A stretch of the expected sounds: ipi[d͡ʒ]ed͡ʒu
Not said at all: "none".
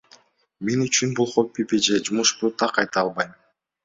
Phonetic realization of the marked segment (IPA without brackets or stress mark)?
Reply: d͡ʒ